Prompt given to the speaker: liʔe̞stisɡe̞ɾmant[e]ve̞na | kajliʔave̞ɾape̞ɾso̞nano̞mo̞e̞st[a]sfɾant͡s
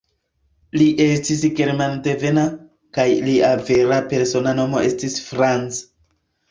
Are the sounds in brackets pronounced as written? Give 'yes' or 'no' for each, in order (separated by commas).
yes, no